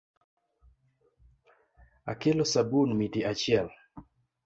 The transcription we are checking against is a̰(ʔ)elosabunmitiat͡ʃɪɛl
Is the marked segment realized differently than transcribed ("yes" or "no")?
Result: yes